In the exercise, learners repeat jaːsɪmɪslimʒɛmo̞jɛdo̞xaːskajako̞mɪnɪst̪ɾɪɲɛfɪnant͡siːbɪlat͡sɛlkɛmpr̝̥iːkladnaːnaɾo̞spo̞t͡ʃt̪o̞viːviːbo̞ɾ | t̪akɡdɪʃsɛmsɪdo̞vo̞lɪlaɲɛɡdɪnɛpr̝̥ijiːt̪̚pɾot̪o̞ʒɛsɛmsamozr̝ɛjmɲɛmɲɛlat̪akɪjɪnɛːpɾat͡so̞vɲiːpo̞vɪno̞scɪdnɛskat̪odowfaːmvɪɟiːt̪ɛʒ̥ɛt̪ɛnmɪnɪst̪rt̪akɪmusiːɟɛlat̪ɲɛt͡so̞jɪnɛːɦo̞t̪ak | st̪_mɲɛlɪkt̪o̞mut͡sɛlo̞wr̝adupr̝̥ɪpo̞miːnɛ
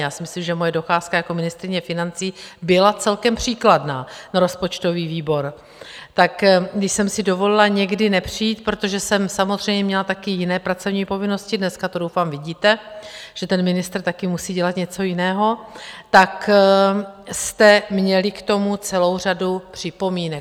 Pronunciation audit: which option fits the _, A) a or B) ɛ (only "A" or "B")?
B